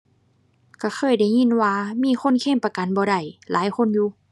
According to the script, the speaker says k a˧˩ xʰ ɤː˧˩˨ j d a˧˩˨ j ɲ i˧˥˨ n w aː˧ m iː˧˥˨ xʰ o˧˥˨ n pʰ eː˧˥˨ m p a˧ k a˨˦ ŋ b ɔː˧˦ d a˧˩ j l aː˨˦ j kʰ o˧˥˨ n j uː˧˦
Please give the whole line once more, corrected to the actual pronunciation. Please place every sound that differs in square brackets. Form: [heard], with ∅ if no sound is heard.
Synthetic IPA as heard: k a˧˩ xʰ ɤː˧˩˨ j d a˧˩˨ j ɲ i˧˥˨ n w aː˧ m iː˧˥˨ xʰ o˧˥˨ n [kʰ] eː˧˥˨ m p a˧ k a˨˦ [n] b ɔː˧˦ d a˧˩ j l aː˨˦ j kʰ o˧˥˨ n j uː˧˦